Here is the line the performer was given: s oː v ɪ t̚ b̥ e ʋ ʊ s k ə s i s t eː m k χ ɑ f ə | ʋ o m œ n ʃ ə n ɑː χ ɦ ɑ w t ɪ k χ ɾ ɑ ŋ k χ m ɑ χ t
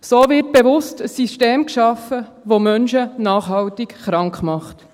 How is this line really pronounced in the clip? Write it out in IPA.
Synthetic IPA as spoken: s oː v ɪ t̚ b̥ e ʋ ʊ s t ə s i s t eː m k ʃ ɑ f ə | ʋ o m œ n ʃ ə n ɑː χ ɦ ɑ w t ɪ k χ ɾ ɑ ŋ k χ m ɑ χ t